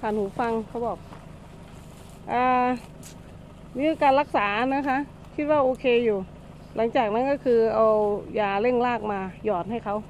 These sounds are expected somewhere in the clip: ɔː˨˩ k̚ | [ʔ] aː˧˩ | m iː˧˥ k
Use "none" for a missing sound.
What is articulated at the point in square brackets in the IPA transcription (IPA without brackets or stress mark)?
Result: ʔ